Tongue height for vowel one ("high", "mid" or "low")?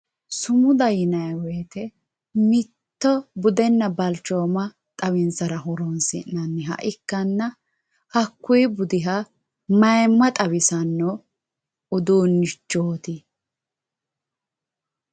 high